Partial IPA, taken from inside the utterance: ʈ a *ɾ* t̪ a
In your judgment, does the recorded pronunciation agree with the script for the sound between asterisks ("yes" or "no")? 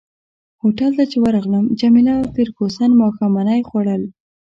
no